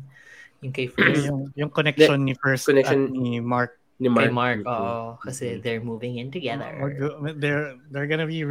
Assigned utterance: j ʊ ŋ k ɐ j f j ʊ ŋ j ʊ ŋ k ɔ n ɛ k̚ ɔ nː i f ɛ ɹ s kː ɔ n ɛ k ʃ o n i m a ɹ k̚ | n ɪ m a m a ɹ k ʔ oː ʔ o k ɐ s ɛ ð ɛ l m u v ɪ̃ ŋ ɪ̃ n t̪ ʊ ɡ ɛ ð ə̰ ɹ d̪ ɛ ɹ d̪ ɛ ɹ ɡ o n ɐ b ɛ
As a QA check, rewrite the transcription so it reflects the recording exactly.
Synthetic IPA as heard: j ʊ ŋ k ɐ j f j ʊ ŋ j ʊ ŋ k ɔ n ɛ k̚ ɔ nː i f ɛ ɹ s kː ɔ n ɛ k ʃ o n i m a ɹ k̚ | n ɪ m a m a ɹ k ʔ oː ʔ o k ɐ s ɛ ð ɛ ɹ m u v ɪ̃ ŋ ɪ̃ n t̪ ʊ ɡ ɛ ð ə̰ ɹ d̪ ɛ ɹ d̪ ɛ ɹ ɡ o n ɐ b i